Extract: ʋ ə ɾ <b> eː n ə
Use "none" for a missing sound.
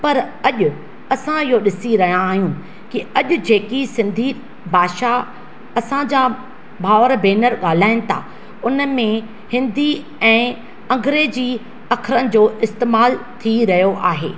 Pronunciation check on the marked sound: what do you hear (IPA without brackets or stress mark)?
b